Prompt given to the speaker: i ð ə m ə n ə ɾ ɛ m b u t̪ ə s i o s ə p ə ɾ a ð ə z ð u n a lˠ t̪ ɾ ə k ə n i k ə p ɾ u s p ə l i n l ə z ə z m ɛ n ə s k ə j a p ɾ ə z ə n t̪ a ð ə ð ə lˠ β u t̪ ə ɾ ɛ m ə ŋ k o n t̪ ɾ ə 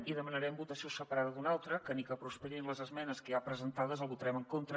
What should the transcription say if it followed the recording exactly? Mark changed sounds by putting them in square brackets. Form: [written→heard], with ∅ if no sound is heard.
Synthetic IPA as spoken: i ð ə m ə n ə ɾ ɛ m b u t̪ ə s i o s ə p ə ɾ a ð ə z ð u n a lˠ t̪ ɾ ə k ə n i k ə p ɾ u s p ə [l→ɾ] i n l ə z ə z m ɛ n ə s k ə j a p ɾ ə z ə n t̪ a ð ə [ð→z] ə lˠ β u t̪ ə ɾ ɛ m ə ŋ k o n t̪ ɾ ə